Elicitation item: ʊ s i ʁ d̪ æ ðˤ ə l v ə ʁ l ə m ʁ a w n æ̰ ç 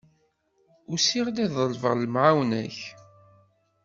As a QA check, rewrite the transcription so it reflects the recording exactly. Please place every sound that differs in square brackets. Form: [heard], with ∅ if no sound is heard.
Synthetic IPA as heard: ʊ s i ʁ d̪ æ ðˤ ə l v ə ʁ l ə m [ʕ] a w n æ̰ ç